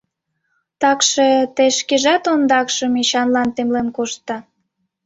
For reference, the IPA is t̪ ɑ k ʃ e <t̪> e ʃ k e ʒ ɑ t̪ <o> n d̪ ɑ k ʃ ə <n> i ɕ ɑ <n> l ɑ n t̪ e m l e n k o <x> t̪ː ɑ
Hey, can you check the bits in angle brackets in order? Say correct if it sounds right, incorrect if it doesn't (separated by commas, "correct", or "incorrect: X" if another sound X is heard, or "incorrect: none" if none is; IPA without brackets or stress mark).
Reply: correct, correct, incorrect: m, correct, incorrect: ʃ